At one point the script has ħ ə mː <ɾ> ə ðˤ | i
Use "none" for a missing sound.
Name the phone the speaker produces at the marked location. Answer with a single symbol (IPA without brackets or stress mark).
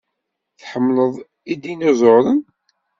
l